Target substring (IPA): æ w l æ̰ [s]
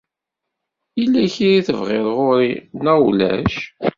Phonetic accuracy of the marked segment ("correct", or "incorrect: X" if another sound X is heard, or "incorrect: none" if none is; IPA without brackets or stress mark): incorrect: ʃ